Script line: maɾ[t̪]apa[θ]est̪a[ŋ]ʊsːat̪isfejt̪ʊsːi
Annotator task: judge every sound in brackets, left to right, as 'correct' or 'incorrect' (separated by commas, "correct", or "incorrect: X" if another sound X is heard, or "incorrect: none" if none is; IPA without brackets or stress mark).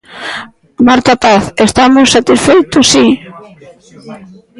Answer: correct, correct, incorrect: m